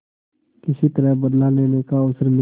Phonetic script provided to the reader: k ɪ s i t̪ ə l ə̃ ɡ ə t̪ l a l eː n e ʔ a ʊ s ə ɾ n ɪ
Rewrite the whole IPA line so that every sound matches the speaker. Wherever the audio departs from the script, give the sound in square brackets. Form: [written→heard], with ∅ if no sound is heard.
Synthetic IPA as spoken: k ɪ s i t̪ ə [l→ɾ] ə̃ [ɡ→b] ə [t̪→d̪] l a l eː n e [ʔ→k] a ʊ s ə ɾ n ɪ